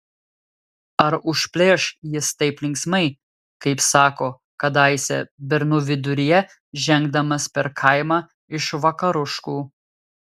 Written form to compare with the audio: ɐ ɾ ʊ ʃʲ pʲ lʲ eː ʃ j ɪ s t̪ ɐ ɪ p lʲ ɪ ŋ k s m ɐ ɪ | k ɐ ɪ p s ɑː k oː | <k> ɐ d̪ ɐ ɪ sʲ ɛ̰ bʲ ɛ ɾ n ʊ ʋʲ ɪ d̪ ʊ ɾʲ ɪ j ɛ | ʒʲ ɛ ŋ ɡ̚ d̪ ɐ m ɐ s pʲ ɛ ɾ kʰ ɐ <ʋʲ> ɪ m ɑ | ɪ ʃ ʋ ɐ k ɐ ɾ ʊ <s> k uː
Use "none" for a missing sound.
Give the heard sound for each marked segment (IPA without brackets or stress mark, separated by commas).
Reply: k, none, ʃ